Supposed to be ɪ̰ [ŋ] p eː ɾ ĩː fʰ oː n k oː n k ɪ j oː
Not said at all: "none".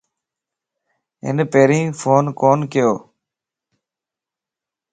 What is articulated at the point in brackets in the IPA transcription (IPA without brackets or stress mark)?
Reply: n